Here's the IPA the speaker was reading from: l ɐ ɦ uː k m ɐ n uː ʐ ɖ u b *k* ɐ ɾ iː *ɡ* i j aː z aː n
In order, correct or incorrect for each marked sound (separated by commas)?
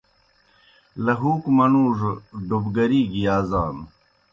incorrect, correct